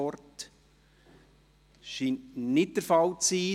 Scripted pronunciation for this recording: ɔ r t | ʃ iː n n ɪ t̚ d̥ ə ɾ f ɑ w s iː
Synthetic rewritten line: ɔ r t | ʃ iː n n ɪ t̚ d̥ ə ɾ f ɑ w t͡s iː